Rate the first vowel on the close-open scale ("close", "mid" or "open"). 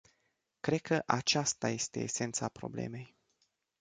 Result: mid